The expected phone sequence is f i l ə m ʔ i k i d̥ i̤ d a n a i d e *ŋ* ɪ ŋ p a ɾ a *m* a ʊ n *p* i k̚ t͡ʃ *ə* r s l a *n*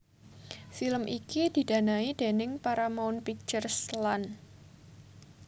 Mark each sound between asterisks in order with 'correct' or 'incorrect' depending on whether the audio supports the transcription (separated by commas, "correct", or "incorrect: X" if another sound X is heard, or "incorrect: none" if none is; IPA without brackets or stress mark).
incorrect: n, correct, correct, correct, correct